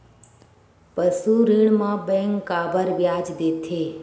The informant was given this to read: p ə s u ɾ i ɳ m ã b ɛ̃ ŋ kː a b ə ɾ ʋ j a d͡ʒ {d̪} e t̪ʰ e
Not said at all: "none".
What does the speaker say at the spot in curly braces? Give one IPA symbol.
d̪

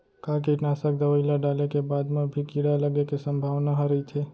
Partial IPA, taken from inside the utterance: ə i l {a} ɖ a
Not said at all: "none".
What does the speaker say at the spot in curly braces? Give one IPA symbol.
a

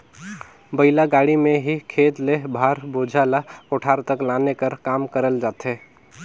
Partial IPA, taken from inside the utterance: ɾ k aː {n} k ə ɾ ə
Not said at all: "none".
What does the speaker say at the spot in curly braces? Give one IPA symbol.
m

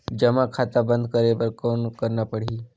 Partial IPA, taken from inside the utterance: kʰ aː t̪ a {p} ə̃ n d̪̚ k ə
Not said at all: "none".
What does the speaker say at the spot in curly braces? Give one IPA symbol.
b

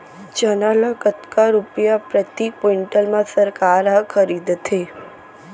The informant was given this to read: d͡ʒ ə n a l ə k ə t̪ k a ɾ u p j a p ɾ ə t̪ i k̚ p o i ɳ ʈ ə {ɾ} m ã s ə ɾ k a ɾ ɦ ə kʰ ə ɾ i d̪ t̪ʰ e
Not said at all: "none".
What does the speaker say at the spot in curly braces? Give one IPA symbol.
l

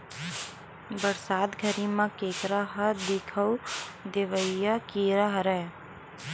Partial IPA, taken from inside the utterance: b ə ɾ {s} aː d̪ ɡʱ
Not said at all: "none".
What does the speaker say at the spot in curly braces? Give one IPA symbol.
s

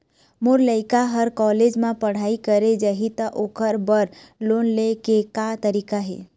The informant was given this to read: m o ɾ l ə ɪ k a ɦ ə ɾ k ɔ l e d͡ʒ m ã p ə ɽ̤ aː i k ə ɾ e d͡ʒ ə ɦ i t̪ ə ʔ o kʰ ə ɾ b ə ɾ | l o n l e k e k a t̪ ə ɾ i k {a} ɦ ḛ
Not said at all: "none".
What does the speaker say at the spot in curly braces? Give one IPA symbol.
a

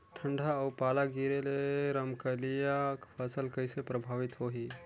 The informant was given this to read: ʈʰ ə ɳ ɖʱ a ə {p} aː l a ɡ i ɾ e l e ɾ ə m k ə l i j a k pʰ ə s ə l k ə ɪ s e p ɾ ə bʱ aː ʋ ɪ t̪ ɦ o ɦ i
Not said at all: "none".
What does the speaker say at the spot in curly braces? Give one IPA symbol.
p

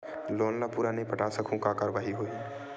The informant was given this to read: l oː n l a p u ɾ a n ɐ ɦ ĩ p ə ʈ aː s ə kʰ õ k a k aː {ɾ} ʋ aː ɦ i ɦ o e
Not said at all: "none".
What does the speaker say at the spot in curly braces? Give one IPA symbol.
ɾ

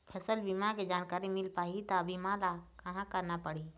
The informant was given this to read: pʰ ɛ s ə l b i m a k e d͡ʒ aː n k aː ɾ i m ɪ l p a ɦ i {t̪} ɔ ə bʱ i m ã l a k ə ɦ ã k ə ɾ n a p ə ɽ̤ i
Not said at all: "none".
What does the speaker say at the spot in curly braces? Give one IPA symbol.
t̪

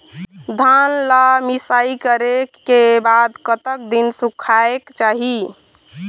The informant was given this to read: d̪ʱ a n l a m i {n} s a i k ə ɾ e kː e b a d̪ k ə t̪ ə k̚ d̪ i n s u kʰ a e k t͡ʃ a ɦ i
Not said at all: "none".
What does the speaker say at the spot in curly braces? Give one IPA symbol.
none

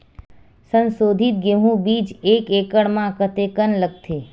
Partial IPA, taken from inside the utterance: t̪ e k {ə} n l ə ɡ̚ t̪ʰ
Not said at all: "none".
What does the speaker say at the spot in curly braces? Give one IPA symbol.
ə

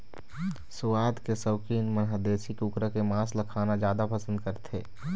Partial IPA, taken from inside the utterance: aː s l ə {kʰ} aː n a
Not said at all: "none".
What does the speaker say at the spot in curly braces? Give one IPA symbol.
kʰ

